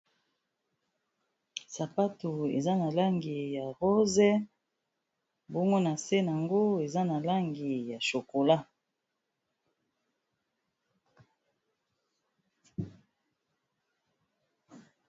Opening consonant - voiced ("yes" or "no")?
no